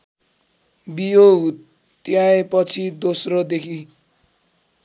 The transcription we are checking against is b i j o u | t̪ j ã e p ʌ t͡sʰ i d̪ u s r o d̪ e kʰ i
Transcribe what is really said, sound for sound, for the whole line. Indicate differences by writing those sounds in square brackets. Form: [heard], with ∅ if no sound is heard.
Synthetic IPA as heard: b i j o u | t̪ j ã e p ʌ t͡sʰ i d̪ [o] s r o d̪ e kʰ i

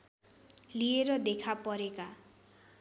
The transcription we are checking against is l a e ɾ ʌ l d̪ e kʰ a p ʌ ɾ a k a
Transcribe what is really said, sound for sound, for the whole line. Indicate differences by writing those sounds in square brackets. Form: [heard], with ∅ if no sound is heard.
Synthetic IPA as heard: l [i] e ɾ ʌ [∅] d̪ e kʰ a p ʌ ɾ [e] k a

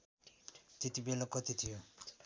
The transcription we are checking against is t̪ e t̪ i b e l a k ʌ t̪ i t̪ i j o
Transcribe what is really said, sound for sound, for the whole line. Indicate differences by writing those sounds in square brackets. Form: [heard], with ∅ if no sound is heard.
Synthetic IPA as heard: t̪ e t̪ i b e l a k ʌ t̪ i [t̪ʰ] i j o

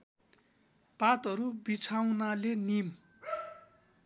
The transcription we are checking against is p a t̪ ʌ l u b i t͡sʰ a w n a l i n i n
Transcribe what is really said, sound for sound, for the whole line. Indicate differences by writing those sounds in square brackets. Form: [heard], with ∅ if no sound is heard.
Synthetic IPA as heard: p a t̪ ʌ [ɾ] u b i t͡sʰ a w n a l [e] n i [m]

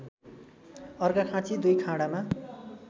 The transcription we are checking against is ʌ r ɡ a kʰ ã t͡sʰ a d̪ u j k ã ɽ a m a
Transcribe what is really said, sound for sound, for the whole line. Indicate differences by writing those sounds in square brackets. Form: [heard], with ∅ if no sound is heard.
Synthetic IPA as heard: ʌ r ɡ a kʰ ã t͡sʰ [i] d̪ u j [kʰ] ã ɽ a m a

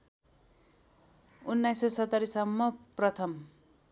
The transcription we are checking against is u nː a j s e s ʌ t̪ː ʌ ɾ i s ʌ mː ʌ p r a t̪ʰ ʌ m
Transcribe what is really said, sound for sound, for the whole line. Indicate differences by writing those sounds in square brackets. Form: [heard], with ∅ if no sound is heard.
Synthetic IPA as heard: u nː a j s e s ʌ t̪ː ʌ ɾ i s ʌ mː ʌ p r [ʌ] t̪ʰ ʌ m

